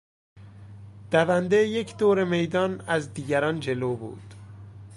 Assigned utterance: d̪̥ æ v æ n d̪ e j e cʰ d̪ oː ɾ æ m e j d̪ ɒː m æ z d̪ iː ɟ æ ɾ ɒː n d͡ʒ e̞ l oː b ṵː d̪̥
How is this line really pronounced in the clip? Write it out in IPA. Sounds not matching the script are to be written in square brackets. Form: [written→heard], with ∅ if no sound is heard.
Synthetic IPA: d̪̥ æ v æ n d̪ e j e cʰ d̪ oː ɾ [æ→e] m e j d̪ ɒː [m→n] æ z d̪ iː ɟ æ ɾ ɒː n d͡ʒ e̞ l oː b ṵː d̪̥